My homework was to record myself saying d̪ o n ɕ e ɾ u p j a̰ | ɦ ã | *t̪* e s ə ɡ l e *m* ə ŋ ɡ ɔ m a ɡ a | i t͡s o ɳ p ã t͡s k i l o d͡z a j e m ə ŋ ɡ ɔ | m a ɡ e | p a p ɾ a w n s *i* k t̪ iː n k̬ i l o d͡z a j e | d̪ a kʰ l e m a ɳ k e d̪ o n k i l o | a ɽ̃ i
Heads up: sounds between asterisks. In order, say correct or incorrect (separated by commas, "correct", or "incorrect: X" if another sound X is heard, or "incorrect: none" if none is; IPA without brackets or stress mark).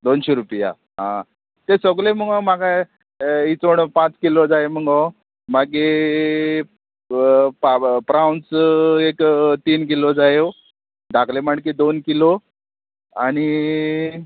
correct, correct, incorrect: e